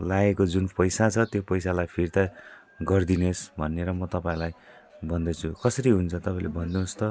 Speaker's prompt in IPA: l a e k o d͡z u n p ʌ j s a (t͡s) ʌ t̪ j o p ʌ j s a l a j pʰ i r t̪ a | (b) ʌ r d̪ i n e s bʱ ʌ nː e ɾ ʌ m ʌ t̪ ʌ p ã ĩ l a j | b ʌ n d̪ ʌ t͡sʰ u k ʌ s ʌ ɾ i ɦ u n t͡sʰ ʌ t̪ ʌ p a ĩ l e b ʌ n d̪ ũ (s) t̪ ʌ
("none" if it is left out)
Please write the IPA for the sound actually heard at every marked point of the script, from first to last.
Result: t͡sʰ, ɡ, s

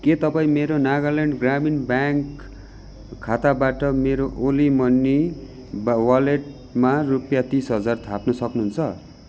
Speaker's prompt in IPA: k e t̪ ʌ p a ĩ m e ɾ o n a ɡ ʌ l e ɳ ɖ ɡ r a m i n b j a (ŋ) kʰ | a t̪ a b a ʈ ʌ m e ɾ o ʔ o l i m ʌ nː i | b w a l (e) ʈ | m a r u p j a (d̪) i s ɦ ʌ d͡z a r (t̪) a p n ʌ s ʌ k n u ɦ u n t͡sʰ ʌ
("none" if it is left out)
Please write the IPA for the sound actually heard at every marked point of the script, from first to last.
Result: ŋ, e, t̪, t̪ʰ

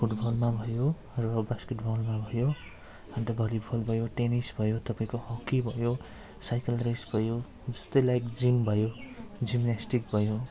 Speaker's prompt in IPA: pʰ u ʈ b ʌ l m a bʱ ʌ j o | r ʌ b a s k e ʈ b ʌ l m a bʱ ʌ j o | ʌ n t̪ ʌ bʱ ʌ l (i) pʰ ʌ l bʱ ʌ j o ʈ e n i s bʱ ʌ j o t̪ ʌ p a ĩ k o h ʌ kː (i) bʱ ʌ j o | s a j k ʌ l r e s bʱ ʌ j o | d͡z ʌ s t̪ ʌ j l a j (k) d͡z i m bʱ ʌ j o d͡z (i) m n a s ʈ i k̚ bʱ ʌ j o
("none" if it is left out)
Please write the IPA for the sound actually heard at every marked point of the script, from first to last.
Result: i, i, k, i

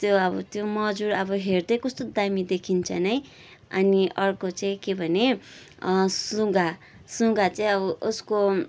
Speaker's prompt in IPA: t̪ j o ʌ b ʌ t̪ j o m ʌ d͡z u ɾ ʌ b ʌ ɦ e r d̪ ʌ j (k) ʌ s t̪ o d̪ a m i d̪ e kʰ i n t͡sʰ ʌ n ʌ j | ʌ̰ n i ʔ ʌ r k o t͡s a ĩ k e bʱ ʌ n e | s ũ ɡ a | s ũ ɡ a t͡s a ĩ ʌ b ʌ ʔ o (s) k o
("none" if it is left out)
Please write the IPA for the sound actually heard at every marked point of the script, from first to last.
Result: k, s

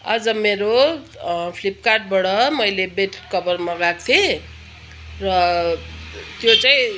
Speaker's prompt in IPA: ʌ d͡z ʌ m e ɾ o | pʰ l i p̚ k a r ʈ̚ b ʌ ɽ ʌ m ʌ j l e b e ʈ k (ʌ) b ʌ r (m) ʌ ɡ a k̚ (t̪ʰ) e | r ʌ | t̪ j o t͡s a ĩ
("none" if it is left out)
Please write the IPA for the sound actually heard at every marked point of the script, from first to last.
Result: ʌ, m, t̪ʰ

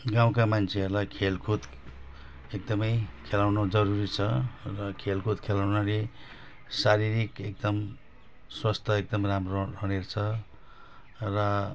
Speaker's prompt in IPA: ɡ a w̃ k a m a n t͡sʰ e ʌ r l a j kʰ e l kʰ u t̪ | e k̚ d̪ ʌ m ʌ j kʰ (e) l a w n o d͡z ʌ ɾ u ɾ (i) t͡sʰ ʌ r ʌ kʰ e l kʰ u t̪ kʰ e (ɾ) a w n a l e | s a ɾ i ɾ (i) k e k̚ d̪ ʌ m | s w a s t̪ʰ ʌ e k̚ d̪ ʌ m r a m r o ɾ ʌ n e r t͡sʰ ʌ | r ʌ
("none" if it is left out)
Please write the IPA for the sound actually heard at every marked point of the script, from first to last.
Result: e, i, l, i

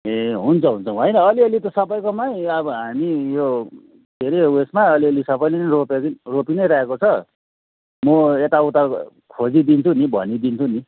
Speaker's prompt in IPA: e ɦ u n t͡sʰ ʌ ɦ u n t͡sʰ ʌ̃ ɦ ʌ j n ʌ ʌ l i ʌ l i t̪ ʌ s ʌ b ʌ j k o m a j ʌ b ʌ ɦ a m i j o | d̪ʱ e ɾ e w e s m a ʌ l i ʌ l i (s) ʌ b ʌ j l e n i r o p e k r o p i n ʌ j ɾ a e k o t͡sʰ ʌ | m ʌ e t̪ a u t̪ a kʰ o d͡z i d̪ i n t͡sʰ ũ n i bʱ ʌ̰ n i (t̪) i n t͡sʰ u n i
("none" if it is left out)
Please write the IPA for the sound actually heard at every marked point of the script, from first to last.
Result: s, d̪

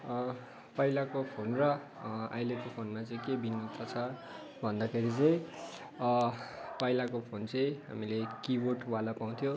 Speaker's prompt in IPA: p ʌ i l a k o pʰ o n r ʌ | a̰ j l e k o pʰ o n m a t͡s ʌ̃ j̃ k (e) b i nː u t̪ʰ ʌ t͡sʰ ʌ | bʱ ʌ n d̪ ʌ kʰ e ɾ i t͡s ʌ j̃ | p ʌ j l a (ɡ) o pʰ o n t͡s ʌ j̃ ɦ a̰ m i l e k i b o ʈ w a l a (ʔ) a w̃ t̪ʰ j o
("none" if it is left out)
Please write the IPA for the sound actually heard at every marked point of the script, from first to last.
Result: e, k, p

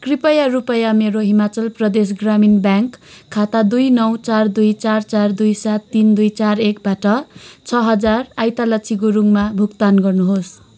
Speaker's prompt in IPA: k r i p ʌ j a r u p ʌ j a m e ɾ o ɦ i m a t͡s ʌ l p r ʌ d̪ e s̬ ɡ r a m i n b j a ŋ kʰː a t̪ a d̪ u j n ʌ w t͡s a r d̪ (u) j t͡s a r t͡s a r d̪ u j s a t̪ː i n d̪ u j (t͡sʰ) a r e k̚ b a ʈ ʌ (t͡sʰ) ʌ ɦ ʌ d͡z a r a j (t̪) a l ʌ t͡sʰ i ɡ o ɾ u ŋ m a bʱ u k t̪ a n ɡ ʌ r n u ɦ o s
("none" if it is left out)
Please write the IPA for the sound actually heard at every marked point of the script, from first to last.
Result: u, t͡s, t͡sʰ, t̪

